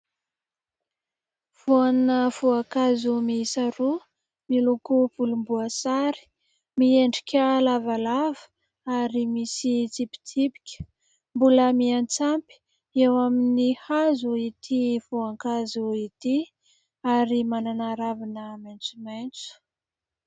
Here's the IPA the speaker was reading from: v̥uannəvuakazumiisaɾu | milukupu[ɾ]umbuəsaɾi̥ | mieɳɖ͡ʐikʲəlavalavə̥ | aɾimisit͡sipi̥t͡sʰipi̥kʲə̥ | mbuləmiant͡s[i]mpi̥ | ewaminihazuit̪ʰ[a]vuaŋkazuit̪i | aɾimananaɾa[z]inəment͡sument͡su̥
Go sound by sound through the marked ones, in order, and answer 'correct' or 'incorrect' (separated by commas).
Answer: incorrect, incorrect, incorrect, incorrect